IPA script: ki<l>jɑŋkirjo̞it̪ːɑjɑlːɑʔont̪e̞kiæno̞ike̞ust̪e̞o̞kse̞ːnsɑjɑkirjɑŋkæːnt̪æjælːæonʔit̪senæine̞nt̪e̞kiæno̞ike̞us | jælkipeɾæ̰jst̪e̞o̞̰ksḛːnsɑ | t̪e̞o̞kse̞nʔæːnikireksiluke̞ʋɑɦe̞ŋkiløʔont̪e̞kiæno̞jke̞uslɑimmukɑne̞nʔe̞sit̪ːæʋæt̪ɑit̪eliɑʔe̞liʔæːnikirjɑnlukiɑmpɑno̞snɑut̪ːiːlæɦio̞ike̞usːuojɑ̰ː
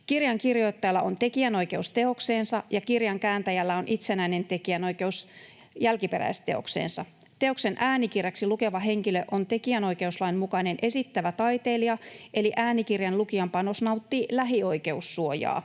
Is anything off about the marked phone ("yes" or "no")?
yes